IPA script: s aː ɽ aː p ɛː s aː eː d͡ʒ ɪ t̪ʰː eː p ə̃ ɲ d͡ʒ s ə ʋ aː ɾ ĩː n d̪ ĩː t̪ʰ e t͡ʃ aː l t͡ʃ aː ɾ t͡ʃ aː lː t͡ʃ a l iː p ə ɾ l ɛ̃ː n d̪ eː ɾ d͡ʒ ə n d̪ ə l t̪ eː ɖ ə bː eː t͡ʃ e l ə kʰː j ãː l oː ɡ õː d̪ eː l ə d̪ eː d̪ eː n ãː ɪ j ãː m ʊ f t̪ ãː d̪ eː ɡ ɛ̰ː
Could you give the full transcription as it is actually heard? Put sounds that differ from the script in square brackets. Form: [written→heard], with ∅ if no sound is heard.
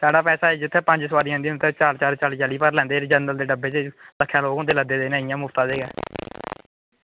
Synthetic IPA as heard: s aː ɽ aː p ɛː s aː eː d͡ʒ ɪ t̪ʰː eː p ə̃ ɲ d͡ʒ s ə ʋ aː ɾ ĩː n d̪ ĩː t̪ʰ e t͡ʃ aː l t͡ʃ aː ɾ t͡ʃ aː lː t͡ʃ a l iː p ə ɾ l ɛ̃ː n d̪ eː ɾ d͡ʒ ə n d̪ ə l [t̪→d̪] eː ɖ ə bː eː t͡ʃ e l ə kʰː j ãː l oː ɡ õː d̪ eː l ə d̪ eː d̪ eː n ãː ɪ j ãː m ʊ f t̪ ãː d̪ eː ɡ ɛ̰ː